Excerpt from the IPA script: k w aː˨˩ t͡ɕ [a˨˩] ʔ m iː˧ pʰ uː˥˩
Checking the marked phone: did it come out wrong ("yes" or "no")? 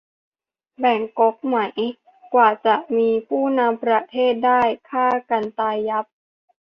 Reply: no